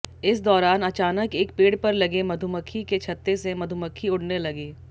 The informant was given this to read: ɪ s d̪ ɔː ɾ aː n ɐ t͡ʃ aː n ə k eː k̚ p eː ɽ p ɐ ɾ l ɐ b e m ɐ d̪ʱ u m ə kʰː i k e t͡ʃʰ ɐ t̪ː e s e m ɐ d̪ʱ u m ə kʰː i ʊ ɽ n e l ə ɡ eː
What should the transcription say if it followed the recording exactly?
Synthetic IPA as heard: ɪ s d̪ ɔː ɾ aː n ɐ t͡ʃ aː n ə k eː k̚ p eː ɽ p ɐ ɾ l ɐ ɡ e m ɐ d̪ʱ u m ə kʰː i k e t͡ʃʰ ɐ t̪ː e s e m ɐ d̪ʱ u m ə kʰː i ʊ ɽ n e l ɐ ɡ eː